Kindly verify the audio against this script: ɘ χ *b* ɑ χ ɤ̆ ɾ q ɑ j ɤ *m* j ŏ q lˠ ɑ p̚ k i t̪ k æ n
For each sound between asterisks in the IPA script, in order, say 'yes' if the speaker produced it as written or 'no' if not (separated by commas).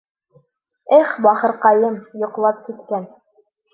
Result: yes, yes